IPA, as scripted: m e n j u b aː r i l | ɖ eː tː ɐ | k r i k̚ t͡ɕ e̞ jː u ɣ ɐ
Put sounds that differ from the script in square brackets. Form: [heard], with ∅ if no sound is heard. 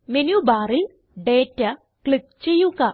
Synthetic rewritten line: m e n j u b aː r i l | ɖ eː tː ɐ | k [ɭ] i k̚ t͡ɕ e̞ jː u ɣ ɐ